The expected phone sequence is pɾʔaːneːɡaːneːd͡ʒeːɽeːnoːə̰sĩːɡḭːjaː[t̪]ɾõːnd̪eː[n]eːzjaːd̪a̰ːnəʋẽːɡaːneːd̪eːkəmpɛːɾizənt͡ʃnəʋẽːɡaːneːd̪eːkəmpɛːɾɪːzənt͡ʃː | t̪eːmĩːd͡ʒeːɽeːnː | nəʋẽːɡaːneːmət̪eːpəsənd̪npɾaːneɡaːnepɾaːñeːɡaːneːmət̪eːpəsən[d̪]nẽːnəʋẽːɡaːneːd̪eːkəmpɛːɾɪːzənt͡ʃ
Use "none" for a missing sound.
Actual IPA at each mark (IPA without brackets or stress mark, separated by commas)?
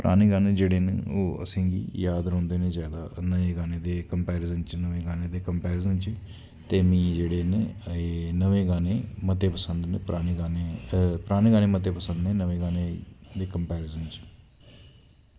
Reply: d̪, n, d̪